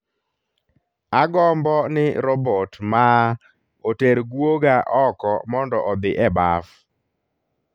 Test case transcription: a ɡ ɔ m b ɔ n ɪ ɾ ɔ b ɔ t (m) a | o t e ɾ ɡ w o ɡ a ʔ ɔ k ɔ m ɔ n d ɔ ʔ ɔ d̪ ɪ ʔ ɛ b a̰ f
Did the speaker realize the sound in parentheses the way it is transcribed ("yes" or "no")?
yes